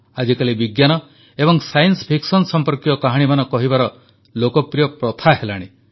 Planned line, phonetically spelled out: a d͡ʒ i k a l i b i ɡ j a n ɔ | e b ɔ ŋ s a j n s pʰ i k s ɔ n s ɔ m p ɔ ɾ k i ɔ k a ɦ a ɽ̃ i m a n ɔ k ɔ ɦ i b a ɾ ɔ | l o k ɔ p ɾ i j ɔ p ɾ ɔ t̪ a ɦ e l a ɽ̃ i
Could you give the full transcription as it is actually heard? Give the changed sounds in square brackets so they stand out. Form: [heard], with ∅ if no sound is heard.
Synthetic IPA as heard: a d͡ʒ i k a l i b i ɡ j a n ɔ | e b ɔ ŋ s a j n s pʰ i k s ɔ n s ɔ m p ɔ ɾ k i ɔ k a ɦ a ɽ̃ i m a n ɔ k ɔ ɦ i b a ɾ ɔ | l o k ɔ p ɾ i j ɔ p ɾ ɔ [t̪ʰ] a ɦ e l a ɽ̃ i